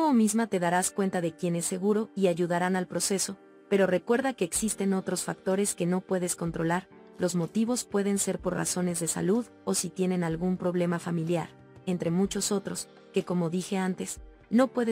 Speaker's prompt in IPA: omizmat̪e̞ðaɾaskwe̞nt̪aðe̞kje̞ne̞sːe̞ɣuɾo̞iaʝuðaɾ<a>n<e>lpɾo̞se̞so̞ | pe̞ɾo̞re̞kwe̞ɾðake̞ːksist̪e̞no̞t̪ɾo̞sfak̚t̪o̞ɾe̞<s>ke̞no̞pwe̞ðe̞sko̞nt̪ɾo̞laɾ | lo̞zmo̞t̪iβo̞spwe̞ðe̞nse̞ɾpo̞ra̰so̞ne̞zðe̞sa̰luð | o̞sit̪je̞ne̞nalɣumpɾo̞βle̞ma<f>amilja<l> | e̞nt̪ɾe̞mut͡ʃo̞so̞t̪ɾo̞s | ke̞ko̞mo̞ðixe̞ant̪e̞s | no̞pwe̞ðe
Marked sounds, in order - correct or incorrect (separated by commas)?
correct, incorrect, correct, correct, incorrect